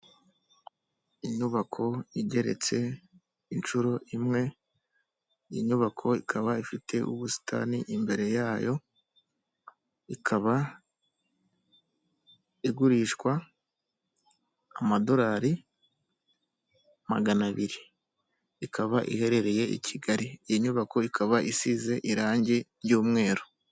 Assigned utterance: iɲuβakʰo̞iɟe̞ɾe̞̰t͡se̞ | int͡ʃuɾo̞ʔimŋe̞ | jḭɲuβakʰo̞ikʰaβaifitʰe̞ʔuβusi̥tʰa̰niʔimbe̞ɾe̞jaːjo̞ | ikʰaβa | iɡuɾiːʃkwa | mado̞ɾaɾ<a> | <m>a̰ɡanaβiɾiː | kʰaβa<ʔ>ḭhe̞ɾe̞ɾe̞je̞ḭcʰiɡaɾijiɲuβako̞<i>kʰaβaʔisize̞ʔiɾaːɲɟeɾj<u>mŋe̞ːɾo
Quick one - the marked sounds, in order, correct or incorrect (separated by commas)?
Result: incorrect, correct, correct, correct, incorrect